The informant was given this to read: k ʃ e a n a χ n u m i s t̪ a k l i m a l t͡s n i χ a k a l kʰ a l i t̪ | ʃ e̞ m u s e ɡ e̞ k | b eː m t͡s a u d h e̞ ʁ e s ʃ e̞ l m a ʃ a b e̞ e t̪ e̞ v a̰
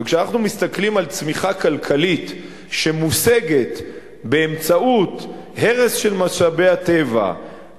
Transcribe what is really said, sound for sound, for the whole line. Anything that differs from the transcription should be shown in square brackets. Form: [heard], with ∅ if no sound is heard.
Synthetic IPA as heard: k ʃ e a n a χ n u m i s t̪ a k l i m a l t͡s [m] i χ a k a l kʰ a l i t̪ | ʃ e̞ m u s e ɡ e̞ [t] | b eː m t͡s a u [t] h e̞ ʁ e s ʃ e̞ l m a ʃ a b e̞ [a] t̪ e̞ v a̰